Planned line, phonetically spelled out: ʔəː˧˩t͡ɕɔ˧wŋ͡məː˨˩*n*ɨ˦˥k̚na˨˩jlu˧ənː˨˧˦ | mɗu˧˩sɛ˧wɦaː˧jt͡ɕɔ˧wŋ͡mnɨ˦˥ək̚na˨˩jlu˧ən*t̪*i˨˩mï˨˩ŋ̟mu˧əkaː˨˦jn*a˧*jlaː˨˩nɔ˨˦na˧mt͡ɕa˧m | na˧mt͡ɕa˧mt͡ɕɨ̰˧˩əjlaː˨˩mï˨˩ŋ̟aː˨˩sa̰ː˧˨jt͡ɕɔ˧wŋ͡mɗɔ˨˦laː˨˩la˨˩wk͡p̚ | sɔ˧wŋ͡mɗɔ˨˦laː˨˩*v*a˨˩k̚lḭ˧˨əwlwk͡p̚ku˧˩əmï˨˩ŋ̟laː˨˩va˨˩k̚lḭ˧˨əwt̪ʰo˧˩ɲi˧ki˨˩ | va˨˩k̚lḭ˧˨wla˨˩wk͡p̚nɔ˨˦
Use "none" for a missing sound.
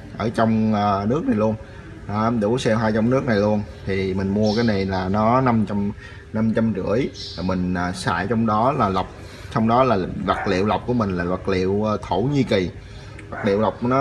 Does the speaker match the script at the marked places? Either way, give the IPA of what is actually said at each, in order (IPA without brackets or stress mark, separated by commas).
n, t̪ʰ, a˨˩, v